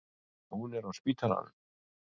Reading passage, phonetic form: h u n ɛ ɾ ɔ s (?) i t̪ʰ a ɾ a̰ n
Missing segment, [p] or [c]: p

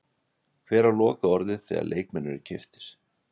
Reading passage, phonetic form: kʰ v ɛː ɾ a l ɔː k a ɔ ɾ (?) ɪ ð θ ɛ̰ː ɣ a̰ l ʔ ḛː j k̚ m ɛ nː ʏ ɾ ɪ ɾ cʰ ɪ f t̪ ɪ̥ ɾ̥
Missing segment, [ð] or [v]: ð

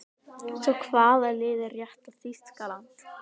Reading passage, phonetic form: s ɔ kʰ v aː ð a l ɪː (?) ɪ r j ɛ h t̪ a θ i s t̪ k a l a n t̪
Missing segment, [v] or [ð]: ð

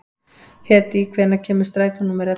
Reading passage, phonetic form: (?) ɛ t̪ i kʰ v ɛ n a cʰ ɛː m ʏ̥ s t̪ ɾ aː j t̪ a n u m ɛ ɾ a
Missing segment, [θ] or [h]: h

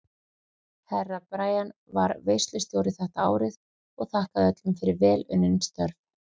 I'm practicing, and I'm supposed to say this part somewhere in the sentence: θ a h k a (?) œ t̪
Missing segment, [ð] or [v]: ð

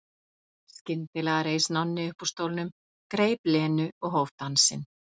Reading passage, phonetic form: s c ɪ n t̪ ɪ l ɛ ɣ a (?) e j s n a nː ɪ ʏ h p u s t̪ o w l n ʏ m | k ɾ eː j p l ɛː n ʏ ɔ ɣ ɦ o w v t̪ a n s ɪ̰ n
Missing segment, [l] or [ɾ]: ɾ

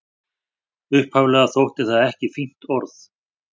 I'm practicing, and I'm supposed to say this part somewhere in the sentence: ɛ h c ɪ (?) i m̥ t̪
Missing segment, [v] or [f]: f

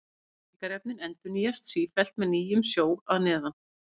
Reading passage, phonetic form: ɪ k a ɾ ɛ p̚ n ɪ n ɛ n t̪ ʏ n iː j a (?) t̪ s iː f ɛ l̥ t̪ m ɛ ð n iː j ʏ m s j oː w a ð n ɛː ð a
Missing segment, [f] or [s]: s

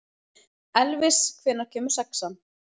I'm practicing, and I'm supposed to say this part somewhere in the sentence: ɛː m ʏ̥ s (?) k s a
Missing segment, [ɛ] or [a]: ɛ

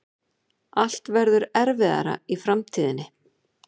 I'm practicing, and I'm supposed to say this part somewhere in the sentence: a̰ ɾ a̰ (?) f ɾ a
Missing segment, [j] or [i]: i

